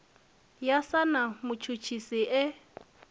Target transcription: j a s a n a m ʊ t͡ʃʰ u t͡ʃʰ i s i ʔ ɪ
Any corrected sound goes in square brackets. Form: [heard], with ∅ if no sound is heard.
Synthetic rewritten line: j a s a n a m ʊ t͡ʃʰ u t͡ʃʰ i s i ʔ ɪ